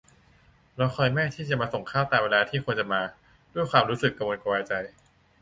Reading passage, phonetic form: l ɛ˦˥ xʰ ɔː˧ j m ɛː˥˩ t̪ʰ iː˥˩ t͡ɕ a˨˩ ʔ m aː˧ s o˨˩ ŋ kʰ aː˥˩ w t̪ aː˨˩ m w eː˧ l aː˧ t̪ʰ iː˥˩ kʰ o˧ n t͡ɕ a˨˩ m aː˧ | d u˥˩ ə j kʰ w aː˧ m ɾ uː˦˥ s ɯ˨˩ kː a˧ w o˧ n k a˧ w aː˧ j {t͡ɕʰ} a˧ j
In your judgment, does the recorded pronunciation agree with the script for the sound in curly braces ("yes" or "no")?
no